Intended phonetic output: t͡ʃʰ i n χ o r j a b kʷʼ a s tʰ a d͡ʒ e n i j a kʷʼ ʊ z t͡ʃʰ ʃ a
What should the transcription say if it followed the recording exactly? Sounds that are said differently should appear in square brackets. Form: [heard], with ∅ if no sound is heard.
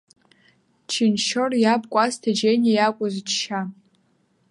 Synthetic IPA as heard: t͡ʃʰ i n [ʃ] o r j a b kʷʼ a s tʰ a d͡ʒ e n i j a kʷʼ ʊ z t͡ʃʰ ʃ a